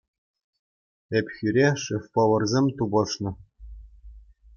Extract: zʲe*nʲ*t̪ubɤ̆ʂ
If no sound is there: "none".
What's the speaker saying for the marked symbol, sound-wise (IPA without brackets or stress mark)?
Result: mʲ